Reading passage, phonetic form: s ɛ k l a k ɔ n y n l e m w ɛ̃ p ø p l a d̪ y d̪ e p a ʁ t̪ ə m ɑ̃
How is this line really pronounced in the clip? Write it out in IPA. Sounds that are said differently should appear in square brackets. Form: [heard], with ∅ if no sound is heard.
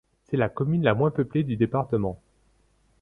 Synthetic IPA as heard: s ɛ [∅] l a k ɔ [m] y n l [a] m w ɛ̃ p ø p l [e] d̪ y d̪ e p a ʁ t̪ ə m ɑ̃